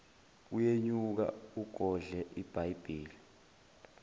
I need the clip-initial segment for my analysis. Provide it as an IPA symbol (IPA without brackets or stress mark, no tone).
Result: u